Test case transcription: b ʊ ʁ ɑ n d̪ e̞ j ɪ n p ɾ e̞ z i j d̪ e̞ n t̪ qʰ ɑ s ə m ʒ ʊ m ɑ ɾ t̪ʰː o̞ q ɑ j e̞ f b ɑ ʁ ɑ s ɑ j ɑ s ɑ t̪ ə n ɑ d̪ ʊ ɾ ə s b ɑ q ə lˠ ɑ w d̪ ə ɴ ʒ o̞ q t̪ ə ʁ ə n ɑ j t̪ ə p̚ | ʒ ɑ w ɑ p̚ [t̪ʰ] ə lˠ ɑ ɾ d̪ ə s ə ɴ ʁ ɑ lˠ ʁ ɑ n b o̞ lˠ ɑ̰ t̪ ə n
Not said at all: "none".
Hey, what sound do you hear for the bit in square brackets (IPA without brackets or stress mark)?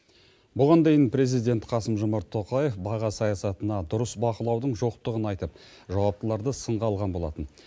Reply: t̪